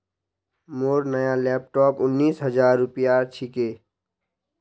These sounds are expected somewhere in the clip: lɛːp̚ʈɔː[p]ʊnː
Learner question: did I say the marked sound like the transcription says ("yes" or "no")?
yes